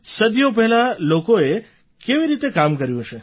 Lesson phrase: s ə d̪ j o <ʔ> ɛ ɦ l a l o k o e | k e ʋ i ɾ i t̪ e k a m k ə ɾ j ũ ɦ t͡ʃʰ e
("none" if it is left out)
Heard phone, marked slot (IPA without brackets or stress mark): p